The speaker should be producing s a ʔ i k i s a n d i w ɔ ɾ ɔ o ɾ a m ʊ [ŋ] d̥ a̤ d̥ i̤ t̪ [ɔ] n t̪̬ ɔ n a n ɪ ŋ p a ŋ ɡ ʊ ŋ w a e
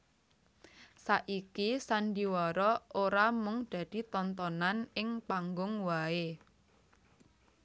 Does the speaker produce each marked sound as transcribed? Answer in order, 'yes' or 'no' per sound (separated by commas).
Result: yes, yes